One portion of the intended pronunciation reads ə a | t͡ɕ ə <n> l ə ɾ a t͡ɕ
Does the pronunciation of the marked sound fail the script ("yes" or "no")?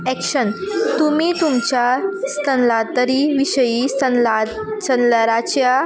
no